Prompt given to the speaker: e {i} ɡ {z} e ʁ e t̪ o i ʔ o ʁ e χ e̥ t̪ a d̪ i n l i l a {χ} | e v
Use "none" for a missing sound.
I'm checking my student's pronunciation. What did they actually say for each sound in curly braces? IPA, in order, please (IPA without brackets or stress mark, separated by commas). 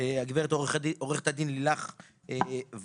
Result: a, v, χ